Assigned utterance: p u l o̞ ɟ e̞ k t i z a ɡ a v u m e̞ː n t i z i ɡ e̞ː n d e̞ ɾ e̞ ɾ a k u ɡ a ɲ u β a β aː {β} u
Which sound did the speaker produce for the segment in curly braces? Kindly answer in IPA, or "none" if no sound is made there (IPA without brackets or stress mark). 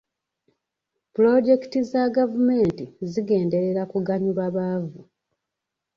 v